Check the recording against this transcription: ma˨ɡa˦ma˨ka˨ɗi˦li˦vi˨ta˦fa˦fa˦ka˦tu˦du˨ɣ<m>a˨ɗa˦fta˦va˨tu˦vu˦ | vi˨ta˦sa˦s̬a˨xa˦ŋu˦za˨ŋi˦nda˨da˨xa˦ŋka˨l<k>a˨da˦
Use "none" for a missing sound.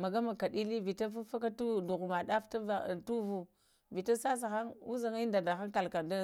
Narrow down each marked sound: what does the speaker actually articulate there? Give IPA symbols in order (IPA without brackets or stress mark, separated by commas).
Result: m, k